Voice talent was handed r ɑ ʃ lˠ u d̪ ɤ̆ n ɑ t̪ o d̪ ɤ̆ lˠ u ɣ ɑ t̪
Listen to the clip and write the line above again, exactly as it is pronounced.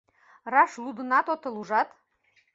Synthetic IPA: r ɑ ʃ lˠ u d̪ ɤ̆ n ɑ t̪ o t̪ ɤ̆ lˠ u ʒ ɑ t̪